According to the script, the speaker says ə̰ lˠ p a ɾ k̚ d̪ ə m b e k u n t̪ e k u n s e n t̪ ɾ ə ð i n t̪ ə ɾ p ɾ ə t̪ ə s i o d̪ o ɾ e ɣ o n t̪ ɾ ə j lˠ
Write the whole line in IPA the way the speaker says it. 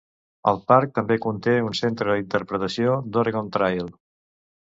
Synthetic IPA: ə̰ lˠ p a ɾ k̚ t̪ ə m b e k u n t̪ e u n s e n t̪ ɾ ə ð i n t̪ ə ɾ p ɾ ə t̪ ə s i o d̪ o ɾ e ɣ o n t̪ ɾ a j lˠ